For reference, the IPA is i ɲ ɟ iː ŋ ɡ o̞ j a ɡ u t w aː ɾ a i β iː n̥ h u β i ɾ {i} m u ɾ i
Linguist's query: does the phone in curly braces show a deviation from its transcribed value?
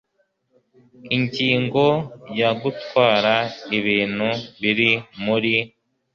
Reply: no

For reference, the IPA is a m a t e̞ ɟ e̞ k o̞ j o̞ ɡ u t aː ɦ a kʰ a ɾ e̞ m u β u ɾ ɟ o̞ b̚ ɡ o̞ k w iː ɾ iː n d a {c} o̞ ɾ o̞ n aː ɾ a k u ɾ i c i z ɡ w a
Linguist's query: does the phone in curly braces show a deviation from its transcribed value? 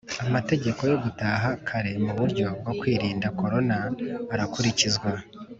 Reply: yes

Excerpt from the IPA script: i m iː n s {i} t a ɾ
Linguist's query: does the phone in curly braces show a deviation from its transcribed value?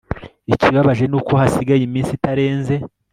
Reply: no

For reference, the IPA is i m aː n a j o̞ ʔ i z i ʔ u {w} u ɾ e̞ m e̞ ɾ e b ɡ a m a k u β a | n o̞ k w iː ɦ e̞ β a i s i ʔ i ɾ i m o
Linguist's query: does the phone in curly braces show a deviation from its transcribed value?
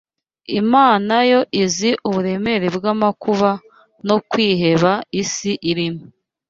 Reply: yes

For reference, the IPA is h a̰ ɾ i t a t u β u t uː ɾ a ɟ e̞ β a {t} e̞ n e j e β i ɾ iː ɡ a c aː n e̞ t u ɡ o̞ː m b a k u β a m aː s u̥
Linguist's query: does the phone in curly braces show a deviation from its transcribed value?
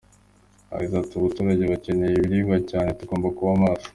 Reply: yes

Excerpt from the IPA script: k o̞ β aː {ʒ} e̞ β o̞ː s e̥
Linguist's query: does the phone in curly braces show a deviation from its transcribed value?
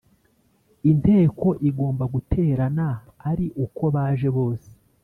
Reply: no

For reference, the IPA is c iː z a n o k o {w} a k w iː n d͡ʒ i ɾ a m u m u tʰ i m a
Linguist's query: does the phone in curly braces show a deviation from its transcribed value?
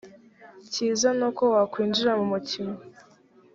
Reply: no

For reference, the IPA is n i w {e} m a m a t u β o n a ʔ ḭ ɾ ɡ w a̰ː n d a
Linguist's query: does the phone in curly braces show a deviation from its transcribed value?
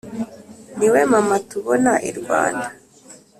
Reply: no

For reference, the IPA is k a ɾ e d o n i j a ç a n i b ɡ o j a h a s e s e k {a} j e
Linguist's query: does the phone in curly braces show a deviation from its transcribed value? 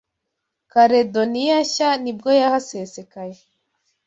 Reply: no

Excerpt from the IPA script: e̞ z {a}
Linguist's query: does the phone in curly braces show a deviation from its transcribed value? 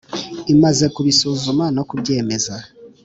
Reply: no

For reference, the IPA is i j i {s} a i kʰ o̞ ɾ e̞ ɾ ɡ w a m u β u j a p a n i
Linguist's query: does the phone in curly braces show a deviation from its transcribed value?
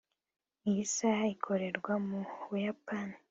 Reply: no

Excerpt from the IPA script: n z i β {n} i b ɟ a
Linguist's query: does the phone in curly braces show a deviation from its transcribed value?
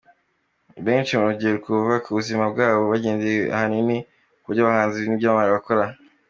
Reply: no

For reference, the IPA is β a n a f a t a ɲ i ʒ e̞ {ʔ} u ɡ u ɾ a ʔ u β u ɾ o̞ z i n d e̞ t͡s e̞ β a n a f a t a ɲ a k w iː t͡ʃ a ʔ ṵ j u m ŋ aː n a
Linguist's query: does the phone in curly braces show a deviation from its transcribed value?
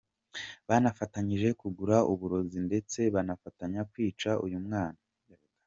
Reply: yes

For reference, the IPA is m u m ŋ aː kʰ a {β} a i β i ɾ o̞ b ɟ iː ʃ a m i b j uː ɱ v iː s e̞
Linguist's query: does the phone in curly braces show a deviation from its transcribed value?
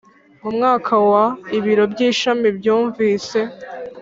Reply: yes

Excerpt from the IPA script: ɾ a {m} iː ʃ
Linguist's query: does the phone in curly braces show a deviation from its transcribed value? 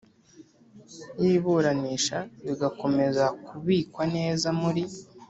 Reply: yes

